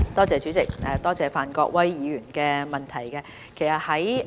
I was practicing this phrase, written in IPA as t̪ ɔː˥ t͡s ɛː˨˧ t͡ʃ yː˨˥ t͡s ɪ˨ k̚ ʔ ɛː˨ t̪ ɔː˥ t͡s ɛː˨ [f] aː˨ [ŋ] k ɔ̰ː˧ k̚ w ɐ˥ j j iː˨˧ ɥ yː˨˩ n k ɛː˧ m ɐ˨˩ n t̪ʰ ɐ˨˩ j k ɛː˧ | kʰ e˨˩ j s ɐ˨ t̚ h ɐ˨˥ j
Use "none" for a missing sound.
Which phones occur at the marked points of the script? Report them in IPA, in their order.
f, n

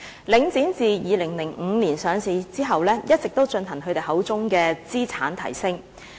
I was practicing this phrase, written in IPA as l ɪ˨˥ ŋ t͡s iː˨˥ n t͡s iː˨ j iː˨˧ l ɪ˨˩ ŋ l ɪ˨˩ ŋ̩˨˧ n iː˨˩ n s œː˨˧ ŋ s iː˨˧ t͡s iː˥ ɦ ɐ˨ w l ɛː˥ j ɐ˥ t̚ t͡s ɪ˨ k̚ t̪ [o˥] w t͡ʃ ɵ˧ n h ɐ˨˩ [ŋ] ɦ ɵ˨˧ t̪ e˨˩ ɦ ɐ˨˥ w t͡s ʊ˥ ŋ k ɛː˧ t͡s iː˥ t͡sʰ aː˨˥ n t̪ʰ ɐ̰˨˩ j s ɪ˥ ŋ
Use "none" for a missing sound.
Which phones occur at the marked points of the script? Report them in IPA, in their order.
o˥, ŋ

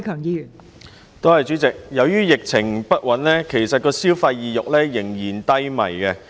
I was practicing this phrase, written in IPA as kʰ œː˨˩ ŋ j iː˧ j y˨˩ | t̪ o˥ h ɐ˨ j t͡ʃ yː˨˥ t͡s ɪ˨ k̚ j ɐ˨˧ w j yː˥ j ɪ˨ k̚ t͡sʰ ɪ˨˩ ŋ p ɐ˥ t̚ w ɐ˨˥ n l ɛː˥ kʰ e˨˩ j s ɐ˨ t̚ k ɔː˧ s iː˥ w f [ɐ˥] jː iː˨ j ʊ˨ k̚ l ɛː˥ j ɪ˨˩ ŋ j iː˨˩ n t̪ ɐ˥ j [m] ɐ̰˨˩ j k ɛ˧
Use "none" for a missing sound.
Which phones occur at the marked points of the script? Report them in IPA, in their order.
ɐ˧, m

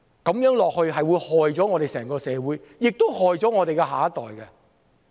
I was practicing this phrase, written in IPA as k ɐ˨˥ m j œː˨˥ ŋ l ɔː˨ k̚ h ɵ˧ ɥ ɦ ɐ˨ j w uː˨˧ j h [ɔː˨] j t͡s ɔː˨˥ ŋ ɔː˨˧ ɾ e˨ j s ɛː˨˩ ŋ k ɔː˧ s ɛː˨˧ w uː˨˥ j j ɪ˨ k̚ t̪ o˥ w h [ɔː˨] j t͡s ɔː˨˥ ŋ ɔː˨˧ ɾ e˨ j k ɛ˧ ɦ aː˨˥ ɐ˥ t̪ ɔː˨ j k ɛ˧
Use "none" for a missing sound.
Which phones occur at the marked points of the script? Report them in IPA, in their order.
ɔː˨, ɔː˨

